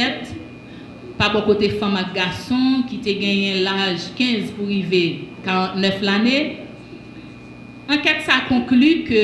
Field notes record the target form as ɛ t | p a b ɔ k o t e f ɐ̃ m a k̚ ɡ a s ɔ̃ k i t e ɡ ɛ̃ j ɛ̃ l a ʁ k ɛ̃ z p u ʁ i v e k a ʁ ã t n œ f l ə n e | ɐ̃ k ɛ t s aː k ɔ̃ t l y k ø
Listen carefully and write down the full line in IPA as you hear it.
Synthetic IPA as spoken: ɛ t | p a b ɔ k o t e f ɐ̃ m a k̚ ɡ a s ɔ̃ k i t e ɡ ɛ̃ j ɛ̃ l a ʒ k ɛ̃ z p u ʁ i v e k a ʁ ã t n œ f l a n e | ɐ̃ k ɛ t s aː k ɔ̃ k l y k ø